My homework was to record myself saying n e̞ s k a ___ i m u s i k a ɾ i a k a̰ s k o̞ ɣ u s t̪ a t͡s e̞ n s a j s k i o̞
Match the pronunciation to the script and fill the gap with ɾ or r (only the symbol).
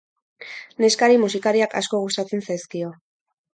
ɾ